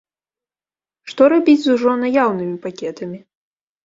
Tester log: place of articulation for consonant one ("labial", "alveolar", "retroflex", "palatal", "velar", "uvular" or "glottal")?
retroflex